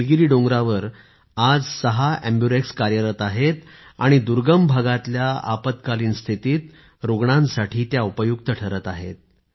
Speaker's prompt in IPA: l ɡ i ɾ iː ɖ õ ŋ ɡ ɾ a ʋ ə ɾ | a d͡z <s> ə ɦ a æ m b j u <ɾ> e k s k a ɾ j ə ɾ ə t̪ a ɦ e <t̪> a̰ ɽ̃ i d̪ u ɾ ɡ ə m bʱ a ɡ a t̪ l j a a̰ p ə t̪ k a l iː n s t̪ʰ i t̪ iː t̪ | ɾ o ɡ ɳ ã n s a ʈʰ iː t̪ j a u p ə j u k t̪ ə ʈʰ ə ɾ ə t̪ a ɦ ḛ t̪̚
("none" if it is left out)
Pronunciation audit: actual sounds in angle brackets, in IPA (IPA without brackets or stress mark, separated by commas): s, ɾ, t̪